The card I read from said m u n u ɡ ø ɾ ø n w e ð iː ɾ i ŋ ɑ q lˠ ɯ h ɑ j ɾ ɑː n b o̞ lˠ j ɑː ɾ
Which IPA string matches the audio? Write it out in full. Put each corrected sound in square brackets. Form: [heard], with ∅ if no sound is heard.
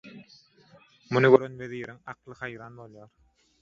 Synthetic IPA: m u n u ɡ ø ɾ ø n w e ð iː ɾ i ŋ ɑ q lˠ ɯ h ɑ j ɾ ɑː n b o̞ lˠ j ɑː ɾ